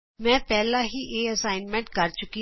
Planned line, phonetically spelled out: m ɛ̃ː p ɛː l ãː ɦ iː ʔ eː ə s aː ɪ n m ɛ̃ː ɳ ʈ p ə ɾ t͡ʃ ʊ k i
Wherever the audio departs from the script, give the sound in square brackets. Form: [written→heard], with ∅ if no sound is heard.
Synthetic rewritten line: m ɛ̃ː p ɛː l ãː ɦ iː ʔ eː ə s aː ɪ n m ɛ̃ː ɳ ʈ [p→k] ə ɾ t͡ʃ ʊ k i